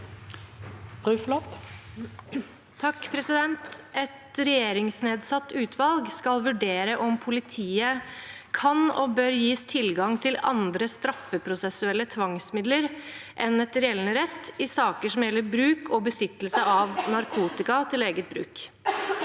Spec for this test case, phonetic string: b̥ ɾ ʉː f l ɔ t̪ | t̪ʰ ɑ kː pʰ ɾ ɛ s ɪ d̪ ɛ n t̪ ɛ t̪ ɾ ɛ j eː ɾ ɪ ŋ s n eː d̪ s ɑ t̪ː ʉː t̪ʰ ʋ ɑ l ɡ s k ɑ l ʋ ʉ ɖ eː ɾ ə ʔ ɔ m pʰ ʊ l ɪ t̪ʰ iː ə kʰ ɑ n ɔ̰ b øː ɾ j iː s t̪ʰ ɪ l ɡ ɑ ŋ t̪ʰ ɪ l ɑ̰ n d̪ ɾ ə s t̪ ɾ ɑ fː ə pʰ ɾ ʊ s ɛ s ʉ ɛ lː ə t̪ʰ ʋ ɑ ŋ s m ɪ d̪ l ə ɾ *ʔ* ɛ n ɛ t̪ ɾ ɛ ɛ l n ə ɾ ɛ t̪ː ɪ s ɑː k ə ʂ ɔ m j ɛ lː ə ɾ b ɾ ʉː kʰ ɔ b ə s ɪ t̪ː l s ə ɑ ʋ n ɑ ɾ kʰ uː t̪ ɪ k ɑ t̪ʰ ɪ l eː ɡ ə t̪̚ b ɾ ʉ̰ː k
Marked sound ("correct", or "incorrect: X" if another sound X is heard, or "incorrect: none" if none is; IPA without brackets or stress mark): correct